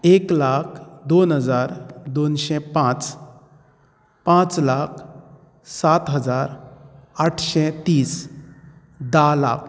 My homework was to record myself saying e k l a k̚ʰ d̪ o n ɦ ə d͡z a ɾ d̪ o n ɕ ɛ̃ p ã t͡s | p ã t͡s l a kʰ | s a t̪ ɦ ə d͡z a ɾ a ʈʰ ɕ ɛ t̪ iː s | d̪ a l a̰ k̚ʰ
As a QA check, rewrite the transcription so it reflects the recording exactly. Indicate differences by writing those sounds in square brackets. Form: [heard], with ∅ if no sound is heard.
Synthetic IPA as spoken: e k l a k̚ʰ d̪ o n ɦ ə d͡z a ɾ d̪ o n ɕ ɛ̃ p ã t͡s | p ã t͡s l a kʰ | s a t̪ ɦ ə d͡z a ɾ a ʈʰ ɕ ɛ t̪ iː s | d̪ a l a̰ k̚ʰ